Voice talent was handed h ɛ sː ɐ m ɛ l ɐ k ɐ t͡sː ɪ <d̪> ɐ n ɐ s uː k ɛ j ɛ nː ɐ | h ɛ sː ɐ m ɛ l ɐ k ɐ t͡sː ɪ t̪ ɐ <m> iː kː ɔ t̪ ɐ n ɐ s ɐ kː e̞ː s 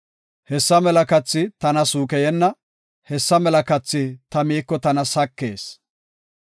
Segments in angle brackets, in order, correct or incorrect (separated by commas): incorrect, correct